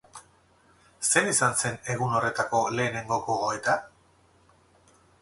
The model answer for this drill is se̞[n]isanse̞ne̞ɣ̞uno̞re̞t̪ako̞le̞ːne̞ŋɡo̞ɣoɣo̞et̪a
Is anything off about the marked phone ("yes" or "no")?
no